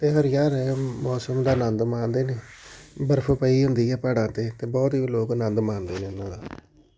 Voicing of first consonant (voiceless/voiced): voiceless